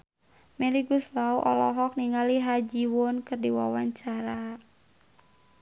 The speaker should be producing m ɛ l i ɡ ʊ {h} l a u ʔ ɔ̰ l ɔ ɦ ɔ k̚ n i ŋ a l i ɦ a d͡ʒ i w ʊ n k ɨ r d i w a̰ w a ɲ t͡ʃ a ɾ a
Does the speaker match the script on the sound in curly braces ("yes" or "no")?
no